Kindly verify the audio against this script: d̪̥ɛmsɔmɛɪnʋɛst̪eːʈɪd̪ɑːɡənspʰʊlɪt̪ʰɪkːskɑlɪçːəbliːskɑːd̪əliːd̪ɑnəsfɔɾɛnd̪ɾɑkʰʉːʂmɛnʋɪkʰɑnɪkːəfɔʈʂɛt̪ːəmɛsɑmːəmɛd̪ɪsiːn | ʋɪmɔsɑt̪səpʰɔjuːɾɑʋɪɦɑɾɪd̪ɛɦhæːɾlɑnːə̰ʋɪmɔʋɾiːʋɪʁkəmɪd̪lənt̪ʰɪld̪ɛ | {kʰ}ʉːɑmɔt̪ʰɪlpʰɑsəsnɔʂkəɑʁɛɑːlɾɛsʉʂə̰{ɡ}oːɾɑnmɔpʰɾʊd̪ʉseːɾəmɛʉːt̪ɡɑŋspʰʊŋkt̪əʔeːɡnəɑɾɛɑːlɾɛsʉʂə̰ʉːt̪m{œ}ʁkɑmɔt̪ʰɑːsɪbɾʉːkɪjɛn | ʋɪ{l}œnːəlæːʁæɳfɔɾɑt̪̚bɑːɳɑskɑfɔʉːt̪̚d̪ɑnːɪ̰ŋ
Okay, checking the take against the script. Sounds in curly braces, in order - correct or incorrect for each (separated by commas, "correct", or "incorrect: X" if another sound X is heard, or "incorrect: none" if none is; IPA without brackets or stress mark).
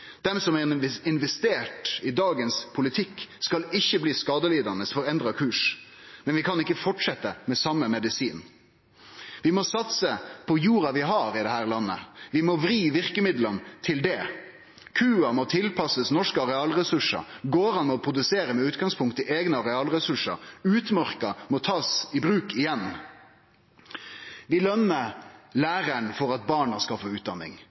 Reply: correct, correct, correct, correct